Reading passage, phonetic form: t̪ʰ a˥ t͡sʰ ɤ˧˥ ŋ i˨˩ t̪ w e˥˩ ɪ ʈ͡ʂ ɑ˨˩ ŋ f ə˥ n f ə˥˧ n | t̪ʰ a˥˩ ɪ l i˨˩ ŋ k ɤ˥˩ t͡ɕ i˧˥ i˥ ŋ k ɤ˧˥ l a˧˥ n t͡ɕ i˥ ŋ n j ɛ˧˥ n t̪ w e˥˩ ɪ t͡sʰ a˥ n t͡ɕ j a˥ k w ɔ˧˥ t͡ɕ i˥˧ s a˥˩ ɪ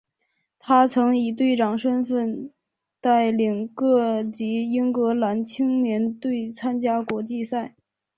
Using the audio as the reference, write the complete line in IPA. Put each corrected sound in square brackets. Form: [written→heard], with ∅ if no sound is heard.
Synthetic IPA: t̪ʰ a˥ t͡sʰ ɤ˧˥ ŋ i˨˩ t̪ w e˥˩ ɪ ʈ͡ʂ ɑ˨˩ ŋ [f→ʂ] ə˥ n f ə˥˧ n | [t̪ʰ→t̪] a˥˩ ɪ l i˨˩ ŋ k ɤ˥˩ t͡ɕ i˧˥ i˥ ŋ k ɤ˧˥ l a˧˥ n [t͡ɕ→t͡ɕʰ] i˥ ŋ n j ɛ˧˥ n t̪ w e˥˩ ɪ t͡sʰ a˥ n t͡ɕ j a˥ k w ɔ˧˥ t͡ɕ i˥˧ s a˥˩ ɪ